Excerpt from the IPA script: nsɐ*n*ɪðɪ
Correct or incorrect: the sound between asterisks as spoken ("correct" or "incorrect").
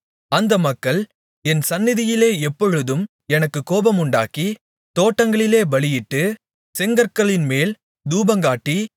incorrect